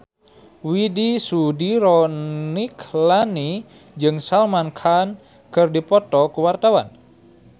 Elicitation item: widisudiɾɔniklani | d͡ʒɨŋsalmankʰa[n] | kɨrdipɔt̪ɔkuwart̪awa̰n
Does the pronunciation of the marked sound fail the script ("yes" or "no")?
no